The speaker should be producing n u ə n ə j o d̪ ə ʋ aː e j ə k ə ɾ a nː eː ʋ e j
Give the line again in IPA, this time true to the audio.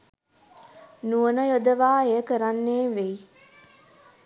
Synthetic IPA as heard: n u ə n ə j o d̪ ə ʋ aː e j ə k ə ɾ a nː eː ʋ e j